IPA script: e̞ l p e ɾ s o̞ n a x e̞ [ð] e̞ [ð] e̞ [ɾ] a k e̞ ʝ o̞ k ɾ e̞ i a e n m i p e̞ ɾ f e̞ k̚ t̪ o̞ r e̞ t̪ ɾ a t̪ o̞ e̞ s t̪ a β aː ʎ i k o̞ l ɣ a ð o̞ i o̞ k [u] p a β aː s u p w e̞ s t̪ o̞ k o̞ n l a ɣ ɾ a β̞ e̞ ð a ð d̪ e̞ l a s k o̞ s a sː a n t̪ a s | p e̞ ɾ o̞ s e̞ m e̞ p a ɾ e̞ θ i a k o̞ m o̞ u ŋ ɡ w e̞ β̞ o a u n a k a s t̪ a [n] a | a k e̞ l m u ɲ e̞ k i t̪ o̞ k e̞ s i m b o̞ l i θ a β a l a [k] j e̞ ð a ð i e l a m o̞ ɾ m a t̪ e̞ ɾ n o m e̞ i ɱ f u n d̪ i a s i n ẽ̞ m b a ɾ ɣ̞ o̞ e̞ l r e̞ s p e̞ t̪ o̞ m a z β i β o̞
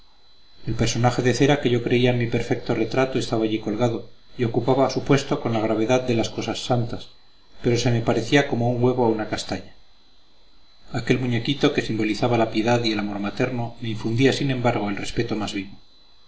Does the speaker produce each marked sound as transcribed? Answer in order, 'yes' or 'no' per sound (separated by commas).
yes, no, yes, yes, no, no